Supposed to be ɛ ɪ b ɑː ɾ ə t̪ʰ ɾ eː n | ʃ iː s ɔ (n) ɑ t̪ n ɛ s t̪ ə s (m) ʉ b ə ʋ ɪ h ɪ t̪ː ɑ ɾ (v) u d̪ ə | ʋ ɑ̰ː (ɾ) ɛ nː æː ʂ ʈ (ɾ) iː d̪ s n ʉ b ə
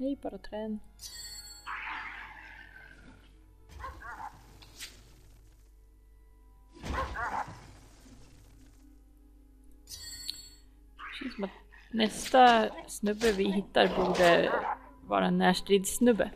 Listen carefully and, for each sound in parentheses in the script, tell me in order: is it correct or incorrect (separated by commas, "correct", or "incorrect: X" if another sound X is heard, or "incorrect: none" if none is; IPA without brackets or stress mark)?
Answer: incorrect: m, incorrect: n, incorrect: b, correct, correct